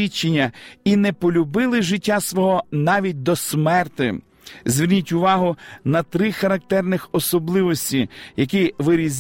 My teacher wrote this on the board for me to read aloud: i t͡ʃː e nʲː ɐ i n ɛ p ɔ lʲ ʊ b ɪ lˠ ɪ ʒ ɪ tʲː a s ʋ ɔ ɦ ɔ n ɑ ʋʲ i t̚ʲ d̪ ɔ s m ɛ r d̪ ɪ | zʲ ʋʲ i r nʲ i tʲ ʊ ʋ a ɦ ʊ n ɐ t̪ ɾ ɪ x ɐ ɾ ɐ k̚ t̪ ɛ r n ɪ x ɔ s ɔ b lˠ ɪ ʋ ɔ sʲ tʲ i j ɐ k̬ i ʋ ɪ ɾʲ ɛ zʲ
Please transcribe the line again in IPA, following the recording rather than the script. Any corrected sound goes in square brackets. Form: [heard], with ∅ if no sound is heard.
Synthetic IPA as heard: i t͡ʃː e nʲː ɐ i n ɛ p ɔ lʲ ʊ b ɪ lˠ ɪ ʒ ɪ tʲː a s ʋ ɔ ɦ ɔ n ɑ ʋʲ i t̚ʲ d̪ ɔ s m ɛ r [t̪] ɪ | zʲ ʋʲ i r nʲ i tʲ ʊ ʋ [ɑ] ɦ ʊ n ɐ t̪ ɾ ɪ x ɐ ɾ ɐ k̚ t̪ ɛ r n ɪ x ɔ s ɔ b lˠ ɪ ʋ ɔ sʲ tʲ i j ɐ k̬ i ʋ ɪ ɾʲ [i] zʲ